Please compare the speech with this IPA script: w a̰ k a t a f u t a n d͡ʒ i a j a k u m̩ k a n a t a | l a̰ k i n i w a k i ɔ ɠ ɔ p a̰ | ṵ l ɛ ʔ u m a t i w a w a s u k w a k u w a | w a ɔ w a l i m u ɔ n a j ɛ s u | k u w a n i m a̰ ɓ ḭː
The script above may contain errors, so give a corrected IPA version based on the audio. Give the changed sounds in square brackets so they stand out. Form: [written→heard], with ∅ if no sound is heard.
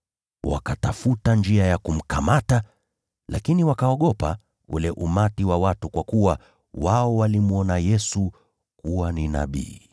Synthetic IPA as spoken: w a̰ k a t a f u t a n d͡ʒ i a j a k u m̩ k a [n→m] a t a | l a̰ k i n i w a k [i→a] ɔ ɠ ɔ p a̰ | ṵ l ɛ ʔ u m a t i w a w a [s→t] u k w a k u w a | w a ɔ w a l i m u ɔ n a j ɛ s u | k u w a n i [m→n] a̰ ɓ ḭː